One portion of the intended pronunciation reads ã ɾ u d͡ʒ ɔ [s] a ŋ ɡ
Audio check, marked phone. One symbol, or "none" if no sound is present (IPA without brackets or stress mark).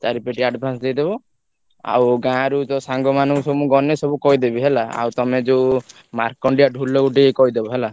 s